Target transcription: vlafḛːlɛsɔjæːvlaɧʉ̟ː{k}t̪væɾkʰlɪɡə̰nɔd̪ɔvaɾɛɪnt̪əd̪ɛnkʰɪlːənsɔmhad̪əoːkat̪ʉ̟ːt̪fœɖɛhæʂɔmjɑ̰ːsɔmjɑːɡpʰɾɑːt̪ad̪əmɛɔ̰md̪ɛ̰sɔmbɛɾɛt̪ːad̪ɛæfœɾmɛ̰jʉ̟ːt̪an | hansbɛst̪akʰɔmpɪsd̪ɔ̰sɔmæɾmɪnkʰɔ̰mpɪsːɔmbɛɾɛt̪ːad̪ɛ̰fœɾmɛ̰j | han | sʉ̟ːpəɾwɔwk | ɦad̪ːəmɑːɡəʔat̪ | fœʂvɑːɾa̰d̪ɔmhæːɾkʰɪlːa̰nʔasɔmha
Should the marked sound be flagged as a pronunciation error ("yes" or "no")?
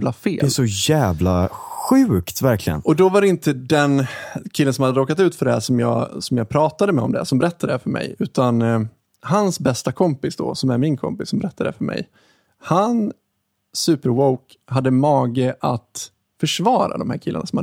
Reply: no